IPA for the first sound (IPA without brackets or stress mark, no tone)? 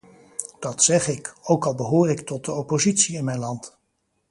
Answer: d̥